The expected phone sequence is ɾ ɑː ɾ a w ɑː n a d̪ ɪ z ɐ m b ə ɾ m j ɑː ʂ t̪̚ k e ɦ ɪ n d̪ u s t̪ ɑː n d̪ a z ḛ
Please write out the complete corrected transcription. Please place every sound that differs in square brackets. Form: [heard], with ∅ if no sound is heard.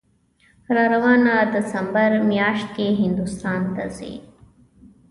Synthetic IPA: ɾ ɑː ɾ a w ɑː n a d̪ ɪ [s] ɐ m b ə ɾ m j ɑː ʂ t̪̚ k e ɦ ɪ n d̪ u s t̪ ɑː n [t̪] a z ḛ